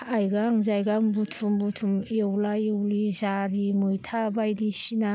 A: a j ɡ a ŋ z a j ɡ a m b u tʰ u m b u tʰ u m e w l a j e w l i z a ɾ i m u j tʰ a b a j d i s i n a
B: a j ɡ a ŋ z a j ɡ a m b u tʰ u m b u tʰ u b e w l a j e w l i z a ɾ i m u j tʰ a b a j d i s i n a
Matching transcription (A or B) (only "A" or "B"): A